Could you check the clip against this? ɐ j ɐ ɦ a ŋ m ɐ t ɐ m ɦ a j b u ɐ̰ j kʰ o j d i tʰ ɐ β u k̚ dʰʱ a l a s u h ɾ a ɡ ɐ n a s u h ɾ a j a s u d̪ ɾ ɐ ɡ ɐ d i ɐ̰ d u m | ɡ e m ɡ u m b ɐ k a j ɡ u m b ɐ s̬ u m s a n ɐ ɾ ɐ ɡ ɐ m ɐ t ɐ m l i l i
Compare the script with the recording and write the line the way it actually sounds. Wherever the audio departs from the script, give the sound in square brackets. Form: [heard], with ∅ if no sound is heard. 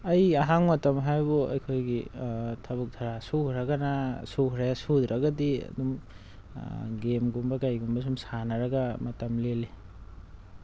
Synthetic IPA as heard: ɐ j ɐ ɦ a ŋ m ɐ t ɐ m ɦ a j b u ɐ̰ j kʰ o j [ɡ] i tʰ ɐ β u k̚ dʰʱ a [ɾ] a s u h ɾ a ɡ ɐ n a s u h ɾ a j a s u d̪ ɾ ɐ ɡ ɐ d i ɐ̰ d u m | ɡ e m ɡ u m b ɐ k a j ɡ u m b ɐ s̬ u m s a n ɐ ɾ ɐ ɡ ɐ m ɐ t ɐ m l [e] l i